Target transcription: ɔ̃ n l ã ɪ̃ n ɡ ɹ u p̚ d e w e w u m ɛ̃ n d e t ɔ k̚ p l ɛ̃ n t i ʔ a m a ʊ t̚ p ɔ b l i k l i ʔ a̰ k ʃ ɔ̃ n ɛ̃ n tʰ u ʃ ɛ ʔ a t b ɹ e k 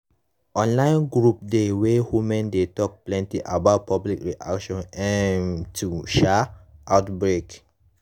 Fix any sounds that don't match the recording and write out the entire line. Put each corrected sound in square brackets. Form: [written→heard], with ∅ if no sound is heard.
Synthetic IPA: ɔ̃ n l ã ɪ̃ n ɡ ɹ u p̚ d e w e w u m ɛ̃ n d e t ɔ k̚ p l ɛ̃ n t i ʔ a [m→b] a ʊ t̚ p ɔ b l i k [l→ɹ] i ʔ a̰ k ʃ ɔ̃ n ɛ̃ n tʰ u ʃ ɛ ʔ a t b ɹ e k